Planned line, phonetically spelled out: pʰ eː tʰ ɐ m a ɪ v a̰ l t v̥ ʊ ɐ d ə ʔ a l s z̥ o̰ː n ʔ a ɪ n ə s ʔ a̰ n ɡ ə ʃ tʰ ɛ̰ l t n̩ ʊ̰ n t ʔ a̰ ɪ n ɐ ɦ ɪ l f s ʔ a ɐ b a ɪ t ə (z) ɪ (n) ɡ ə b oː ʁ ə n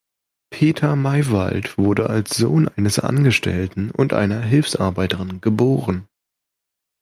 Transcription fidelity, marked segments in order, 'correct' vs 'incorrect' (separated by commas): incorrect, correct